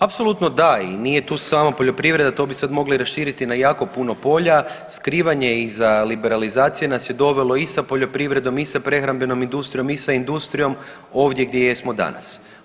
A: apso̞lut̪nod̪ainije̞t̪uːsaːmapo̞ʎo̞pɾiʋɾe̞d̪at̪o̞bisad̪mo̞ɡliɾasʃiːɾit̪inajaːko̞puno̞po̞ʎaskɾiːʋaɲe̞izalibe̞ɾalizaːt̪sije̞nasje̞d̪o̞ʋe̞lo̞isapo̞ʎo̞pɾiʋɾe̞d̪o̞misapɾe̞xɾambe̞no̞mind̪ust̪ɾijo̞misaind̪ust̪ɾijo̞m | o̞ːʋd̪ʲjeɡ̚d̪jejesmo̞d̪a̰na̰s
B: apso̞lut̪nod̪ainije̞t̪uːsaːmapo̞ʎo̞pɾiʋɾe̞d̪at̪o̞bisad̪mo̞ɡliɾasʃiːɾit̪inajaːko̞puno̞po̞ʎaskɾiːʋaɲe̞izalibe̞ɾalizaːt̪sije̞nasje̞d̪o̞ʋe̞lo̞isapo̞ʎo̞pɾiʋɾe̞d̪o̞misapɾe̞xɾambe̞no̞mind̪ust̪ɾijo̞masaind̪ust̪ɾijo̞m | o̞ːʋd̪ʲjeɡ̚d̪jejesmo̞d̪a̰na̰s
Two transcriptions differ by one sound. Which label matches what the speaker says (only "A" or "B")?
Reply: A